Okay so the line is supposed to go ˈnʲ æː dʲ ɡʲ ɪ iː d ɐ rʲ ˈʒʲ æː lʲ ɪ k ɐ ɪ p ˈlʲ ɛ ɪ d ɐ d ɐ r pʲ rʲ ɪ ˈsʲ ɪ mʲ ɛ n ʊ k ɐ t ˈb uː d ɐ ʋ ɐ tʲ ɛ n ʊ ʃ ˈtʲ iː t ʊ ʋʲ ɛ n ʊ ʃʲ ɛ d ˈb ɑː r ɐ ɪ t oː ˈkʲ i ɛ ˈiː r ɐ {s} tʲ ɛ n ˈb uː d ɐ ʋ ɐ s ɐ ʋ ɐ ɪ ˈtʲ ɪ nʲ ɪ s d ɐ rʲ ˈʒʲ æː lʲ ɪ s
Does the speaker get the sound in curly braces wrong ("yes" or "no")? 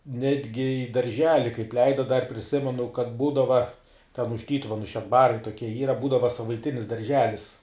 yes